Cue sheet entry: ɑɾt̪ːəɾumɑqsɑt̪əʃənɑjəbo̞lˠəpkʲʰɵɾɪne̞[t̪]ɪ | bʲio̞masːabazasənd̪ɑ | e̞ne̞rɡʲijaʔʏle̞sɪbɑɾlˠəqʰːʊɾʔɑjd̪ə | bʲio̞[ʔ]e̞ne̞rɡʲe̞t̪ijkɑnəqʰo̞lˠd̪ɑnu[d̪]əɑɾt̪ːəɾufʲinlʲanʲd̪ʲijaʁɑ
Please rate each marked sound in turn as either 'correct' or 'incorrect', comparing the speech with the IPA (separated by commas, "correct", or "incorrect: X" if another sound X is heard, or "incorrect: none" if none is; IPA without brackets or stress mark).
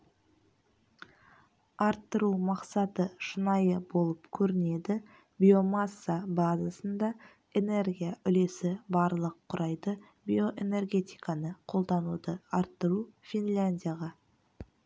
incorrect: d̪, correct, correct